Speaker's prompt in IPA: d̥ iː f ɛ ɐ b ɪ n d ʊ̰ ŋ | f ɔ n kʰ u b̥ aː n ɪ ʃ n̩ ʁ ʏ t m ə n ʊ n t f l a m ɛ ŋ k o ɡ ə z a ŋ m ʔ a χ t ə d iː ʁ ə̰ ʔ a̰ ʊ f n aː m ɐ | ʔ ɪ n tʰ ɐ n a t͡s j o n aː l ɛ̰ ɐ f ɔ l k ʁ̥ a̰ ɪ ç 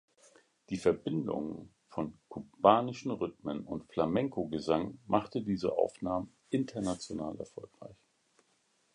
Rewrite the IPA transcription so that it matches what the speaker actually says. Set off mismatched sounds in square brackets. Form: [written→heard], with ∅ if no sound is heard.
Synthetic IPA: d̥ iː f ɛ ɐ b ɪ n d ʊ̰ ŋ | f ɔ n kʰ u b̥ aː n ɪ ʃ n̩ ʁ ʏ t m ə n ʊ n t f l a m ɛ ŋ k o ɡ ə z a ŋ m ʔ a χ t ə d iː [ʁ→z] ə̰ ʔ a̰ ʊ f n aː m [ɐ→ə] | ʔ ɪ n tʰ ɐ n a t͡s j o n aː l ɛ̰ ɐ f ɔ l k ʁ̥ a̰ ɪ ç